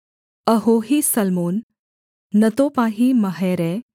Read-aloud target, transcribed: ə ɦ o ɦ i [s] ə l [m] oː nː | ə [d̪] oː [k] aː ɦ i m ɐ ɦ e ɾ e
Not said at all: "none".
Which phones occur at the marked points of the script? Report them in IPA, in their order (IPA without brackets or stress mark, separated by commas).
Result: s, m, t̪, p